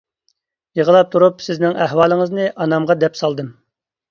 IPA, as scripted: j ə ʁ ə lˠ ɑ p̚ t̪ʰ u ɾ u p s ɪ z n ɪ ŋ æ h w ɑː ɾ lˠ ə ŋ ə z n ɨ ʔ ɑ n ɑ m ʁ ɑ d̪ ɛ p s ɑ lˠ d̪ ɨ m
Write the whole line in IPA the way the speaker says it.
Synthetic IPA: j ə ʁ ə lˠ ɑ p̚ t̪ʰ u ɾ u p s ɪ z n ɪ ŋ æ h w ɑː lˠ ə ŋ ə z n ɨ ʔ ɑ n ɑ m ʁ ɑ d̪ ɛ p s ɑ lˠ d̪ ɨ m